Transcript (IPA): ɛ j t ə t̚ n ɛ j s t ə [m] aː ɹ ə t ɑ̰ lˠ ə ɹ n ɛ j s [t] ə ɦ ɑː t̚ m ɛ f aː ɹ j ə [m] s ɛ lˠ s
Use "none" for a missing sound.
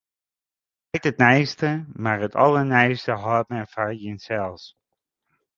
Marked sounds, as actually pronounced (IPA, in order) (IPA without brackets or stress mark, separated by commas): m, t, n